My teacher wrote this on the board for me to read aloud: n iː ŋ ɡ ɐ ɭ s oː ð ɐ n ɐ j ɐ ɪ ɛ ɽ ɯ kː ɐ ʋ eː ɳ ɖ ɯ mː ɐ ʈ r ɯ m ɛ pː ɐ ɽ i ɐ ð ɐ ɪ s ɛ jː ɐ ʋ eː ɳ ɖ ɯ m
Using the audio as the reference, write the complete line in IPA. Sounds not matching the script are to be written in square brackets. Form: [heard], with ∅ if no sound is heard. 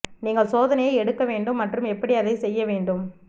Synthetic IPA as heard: n iː ŋ ɡ ɐ ɭ s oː ð ɐ n ɐ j ɐ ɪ ɛ ɽ ɯ kː ɐ ʋ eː ɳ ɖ ɯ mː ɐ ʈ r ɯ m ɛ pː ɐ ɽ i ɐ ð ɐ ɪ s ɛ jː ɐ ʋ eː ɳ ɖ ɯ m

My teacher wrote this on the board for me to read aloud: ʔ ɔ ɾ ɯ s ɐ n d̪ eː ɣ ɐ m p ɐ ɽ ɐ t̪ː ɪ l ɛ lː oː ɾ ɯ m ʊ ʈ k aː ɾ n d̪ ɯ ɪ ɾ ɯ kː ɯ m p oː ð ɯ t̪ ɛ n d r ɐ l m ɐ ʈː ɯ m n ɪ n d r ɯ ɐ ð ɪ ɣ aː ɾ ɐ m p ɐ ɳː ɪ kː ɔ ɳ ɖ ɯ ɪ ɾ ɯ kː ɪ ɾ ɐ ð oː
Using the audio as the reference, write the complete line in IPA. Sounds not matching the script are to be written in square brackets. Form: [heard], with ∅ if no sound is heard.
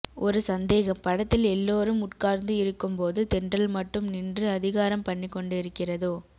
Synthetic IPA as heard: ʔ ɔ ɾ ɯ s ɐ n d̪ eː ɣ ɐ m p ɐ ɽ ɐ t̪ː ɪ l ɛ lː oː ɾ ɯ m ʊ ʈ k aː ɾ n d̪ ɯ ɪ ɾ ɯ kː ɯ m p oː ð ɯ t̪ ɛ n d r ɐ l m ɐ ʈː ɯ m n ɪ n d r ɯ ɐ ð ɪ ɣ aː ɾ ɐ m p ɐ ɳː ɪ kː ɔ ɳ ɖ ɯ ɪ ɾ ɯ kː ɪ [r] ɐ ð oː

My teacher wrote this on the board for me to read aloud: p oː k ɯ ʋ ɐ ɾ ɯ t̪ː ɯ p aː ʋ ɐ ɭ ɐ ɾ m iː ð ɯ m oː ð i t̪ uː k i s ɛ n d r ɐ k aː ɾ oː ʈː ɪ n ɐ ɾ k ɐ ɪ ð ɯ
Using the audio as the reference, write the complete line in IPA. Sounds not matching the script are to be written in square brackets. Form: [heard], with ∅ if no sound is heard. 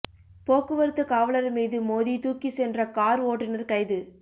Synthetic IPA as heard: p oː k ɯ ʋ ɐ ɾ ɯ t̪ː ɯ [k] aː ʋ ɐ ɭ ɐ ɾ m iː ð ɯ m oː ð i t̪ uː k i s ɛ n d r ɐ k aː ɾ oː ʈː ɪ n ɐ ɾ k ɐ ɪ ð ɯ

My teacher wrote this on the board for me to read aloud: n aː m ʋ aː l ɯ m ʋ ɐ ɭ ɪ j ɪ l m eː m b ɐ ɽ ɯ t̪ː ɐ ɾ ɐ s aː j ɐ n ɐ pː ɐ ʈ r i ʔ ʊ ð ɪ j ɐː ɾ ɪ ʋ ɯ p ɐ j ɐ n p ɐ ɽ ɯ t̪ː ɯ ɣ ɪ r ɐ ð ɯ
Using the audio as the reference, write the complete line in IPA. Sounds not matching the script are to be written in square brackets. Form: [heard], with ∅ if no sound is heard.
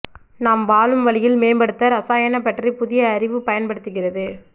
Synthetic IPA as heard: n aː m ʋ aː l ɯ m ʋ ɐ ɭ ɪ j ɪ l m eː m b ɐ ɽ ɯ t̪ː ɐ ɾ ɐ s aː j ɐ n ɐ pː ɐ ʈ r i [p] ʊ ð ɪ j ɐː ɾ ɪ ʋ ɯ p ɐ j ɐ n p ɐ ɽ ɯ t̪ː ɯ ɣ ɪ r ɐ ð ɯ

